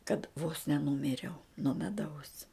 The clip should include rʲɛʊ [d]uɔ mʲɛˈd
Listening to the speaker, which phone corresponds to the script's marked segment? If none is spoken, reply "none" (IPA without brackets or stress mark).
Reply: n